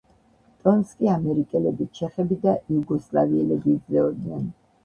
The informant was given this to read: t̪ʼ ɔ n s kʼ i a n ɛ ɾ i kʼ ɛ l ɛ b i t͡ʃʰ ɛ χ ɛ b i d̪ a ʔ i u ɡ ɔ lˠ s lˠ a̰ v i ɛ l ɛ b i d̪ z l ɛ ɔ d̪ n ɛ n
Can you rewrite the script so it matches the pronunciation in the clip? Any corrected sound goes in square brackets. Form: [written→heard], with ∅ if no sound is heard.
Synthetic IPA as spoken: t̪ʼ ɔ n s kʼ i a [n→m] ɛ ɾ i kʼ ɛ l ɛ b i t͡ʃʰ ɛ χ ɛ b i d̪ a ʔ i u ɡ ɔ [lˠ→∅] s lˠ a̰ v i ɛ l ɛ b i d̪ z l ɛ ɔ d̪ n ɛ n